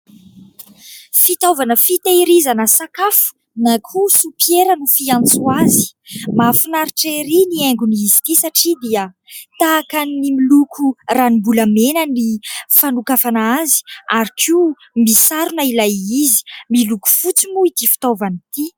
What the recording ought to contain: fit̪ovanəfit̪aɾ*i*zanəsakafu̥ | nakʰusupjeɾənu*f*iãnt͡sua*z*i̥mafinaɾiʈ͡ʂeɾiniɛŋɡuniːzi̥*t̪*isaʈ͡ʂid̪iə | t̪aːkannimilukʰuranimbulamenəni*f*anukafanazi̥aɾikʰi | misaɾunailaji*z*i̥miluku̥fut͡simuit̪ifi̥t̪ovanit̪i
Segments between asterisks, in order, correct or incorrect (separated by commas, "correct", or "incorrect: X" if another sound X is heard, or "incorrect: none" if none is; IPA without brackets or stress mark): correct, correct, correct, correct, correct, correct